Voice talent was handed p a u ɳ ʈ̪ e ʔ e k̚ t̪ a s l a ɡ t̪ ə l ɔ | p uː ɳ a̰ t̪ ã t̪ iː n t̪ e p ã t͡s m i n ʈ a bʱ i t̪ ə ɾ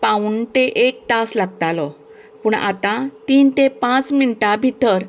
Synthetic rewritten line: p a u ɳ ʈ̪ e ʔ e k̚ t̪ a s l a ɡ t̪ a l ɔ | p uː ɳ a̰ t̪ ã t̪ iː n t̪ e p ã t͡s m i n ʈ a bʱ i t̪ ə ɾ